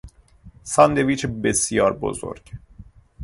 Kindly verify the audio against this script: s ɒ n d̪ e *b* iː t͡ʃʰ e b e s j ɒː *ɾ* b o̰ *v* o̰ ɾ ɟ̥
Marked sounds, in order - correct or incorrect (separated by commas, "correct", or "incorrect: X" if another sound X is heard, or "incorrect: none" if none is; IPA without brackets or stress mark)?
incorrect: v, correct, incorrect: z